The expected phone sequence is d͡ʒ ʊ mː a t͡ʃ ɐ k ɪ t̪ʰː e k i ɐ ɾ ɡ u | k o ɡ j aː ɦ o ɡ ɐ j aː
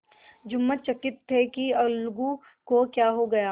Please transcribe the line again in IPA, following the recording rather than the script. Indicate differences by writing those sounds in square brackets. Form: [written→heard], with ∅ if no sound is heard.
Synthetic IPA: d͡ʒ ʊ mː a t͡ʃ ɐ k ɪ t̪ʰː e k i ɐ [ɾ→l] ɡ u | k o [ɡ→k] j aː ɦ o ɡ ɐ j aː